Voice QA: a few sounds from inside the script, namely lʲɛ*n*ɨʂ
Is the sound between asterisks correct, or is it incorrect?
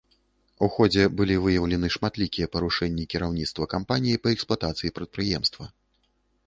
correct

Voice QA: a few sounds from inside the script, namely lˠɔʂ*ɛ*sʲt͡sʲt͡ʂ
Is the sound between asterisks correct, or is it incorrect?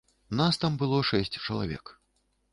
correct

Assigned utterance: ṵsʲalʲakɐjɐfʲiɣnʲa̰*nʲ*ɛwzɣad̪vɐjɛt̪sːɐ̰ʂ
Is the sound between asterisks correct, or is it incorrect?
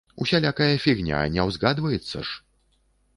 correct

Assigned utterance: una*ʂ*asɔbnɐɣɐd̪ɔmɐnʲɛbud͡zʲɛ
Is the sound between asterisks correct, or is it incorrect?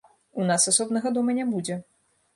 incorrect: s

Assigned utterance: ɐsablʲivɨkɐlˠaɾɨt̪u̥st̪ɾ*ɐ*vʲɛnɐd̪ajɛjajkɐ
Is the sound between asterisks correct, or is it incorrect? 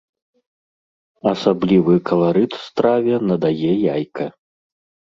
incorrect: a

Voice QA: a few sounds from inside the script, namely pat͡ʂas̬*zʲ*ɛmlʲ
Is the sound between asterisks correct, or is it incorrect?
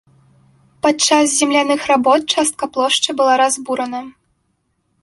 correct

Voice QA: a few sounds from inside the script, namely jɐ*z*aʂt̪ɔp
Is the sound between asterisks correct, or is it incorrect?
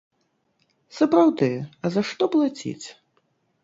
correct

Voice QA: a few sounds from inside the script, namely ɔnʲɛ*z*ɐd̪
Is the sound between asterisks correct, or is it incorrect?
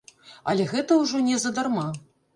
correct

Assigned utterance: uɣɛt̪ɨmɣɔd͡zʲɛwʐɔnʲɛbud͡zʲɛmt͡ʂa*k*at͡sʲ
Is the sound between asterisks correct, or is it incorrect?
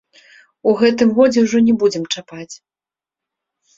incorrect: p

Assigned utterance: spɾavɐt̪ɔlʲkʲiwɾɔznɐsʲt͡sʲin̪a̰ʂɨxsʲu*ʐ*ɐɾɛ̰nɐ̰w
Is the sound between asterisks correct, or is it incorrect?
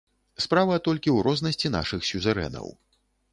incorrect: z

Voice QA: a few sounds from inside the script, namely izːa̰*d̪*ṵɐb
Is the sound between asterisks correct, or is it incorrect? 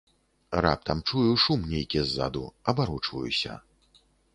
correct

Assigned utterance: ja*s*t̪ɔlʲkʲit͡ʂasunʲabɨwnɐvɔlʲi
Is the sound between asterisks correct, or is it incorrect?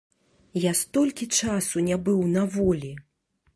correct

